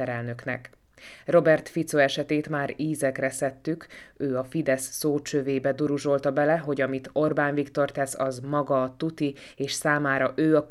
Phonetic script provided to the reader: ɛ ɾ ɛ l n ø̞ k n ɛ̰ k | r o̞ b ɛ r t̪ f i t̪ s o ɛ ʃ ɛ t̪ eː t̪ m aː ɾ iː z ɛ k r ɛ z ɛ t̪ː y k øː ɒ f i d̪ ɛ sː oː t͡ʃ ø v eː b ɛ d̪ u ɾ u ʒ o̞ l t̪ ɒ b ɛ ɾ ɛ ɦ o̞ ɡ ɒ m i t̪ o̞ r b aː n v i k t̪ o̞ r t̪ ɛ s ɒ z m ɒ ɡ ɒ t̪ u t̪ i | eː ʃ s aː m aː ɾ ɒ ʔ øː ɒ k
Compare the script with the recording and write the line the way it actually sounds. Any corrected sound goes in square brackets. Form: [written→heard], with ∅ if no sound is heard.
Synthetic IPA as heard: ɛ ɾ ɛ l n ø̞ k n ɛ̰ k | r o̞ b ɛ r t̪ f i t̪ s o ɛ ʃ ɛ t̪ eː t̪ m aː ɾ iː z ɛ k r ɛ [z→s] ɛ t̪ː y k øː ɒ f i d̪ ɛ sː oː t͡ʃ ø v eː b ɛ d̪ u ɾ u ʒ o̞ l t̪ ɒ b ɛ [ɾ→l] ɛ ɦ o̞ [ɡ→ɟ] ɒ m i t̪ o̞ r b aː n v i k t̪ o̞ r t̪ ɛ s ɒ z m ɒ ɡ ɒ t̪ u t̪ i | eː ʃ s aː m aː ɾ ɒ ʔ øː ɒ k